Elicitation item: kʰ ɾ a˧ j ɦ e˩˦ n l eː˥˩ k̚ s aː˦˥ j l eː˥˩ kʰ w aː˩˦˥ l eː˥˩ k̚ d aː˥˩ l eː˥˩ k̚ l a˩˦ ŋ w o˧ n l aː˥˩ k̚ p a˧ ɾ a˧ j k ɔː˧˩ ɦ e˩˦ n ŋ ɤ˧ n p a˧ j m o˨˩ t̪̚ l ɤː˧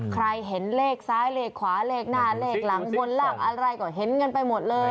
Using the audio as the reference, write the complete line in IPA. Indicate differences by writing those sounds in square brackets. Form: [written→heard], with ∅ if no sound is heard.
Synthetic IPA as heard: kʰ ɾ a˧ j ɦ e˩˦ n l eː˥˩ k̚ s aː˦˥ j l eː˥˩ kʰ w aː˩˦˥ l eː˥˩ k̚ [d→n] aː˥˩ l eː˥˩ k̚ l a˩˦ ŋ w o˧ n l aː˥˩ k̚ [p→ʔ] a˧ ɾ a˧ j k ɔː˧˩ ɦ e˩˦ n ŋ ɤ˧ n p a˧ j m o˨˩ t̪̚ l ɤː˧